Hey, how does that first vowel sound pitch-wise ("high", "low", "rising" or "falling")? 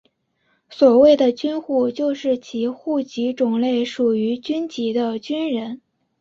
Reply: low